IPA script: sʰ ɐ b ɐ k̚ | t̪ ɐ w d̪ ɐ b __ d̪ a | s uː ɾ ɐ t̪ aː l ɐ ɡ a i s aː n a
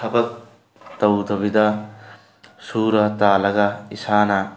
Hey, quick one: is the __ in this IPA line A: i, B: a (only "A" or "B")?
A